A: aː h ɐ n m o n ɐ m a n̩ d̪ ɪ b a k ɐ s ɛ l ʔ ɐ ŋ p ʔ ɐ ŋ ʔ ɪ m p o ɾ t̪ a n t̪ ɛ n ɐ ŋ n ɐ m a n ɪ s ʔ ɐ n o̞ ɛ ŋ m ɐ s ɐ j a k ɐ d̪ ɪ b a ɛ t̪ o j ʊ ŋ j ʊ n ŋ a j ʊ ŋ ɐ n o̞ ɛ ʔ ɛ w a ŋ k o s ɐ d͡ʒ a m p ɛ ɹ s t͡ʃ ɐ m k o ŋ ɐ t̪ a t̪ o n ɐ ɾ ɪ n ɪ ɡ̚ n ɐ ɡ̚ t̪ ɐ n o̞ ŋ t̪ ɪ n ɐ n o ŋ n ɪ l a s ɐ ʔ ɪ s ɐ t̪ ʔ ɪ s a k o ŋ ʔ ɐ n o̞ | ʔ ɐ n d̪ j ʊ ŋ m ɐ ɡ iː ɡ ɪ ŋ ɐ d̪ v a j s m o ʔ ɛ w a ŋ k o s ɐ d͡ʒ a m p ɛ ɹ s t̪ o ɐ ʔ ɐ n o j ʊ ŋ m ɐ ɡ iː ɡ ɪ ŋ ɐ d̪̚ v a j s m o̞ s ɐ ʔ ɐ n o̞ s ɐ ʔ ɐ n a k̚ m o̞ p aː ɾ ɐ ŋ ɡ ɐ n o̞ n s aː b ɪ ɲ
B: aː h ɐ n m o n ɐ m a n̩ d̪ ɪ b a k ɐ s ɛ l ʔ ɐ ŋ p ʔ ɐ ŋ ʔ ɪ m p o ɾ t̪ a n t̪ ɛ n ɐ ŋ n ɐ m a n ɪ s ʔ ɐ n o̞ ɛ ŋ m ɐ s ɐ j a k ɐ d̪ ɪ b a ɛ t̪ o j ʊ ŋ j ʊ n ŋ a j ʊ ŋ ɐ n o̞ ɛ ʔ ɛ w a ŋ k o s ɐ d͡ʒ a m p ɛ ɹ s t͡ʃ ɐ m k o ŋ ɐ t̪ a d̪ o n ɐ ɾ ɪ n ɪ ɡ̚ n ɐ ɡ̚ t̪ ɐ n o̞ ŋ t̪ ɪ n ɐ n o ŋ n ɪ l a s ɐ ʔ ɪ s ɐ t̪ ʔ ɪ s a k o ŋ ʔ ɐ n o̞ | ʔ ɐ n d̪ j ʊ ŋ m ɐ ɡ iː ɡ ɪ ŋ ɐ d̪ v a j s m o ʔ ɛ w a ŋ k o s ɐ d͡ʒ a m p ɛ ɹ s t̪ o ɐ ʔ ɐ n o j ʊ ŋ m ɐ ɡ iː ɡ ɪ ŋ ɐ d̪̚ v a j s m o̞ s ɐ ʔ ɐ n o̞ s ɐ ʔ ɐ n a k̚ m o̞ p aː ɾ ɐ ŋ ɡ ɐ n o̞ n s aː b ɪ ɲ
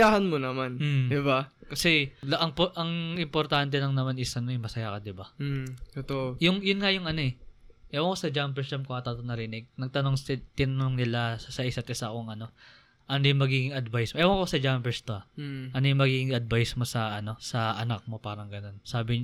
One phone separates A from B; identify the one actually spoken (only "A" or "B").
A